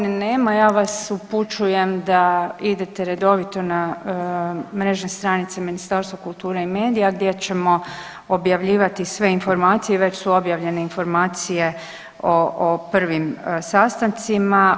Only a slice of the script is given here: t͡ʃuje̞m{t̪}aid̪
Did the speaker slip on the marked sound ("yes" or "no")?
yes